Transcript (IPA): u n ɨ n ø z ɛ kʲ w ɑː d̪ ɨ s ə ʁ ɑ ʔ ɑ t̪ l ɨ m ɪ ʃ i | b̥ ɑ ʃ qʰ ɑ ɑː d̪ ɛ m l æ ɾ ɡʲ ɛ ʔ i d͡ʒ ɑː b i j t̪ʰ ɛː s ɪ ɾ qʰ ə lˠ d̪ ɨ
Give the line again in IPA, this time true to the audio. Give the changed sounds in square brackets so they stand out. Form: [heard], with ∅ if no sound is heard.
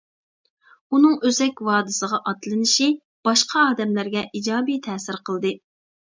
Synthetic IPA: u n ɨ [ŋ] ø z ɛ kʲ w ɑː d̪ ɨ s ə ʁ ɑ ʔ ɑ t̪ l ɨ [n] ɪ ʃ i | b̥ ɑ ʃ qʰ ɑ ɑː d̪ ɛ m l æ ɾ ɡʲ ɛ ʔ i d͡ʒ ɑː b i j t̪ʰ ɛː s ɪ ɾ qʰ ə lˠ d̪ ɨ